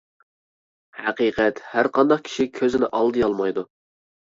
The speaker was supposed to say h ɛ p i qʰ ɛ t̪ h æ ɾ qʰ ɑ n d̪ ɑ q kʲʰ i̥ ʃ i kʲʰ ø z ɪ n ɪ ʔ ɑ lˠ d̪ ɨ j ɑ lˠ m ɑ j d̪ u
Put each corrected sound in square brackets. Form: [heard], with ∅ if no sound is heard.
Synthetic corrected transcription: h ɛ [q] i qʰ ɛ t̪ h æ ɾ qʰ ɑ n d̪ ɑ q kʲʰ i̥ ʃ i kʲʰ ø z ɪ n ɪ ʔ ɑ lˠ d̪ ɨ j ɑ lˠ m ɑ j d̪ u